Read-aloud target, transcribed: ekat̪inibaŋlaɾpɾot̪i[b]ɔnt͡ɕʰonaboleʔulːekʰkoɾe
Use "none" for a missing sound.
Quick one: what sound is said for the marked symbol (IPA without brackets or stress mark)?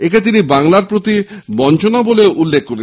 b